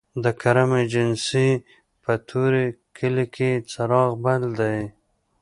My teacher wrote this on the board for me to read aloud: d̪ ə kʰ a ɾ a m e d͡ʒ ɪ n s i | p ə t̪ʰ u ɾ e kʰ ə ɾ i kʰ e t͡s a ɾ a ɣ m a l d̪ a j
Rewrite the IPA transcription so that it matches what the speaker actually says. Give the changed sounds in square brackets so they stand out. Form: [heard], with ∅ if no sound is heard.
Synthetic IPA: d̪ ə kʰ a ɾ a m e d͡ʒ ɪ n s i | p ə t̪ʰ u ɾ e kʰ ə [l] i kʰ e t͡s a ɾ [ɑ] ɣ [b] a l d̪ a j